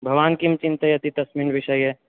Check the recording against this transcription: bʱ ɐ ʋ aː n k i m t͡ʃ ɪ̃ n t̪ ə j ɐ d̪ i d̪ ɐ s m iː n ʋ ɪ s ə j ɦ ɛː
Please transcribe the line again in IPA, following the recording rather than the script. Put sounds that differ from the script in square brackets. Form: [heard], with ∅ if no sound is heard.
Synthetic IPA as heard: bʱ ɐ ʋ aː n k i m t͡ʃ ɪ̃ n t̪ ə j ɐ [t̪] i [t̪] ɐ s m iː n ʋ ɪ [ʃ] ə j ɦ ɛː